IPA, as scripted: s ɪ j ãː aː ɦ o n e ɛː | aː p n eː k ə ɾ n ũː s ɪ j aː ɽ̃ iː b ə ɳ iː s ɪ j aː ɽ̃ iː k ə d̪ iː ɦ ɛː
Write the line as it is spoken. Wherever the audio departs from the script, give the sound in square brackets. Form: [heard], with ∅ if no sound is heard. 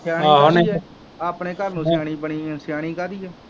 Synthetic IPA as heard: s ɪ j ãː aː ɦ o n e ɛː | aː p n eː k ə ɾ n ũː s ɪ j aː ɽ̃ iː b ə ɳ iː s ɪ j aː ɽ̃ iː k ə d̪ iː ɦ ɛː